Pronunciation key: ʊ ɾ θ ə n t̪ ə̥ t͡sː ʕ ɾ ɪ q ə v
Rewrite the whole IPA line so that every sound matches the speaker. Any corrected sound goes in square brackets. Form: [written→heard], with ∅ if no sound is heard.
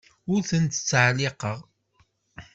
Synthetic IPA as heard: ʊ ɾ θ ə n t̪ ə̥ t͡sː ʕ [ɾ→l] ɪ q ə [v→ʁ]